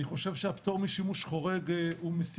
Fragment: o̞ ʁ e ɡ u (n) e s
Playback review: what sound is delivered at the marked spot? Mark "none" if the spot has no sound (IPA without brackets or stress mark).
m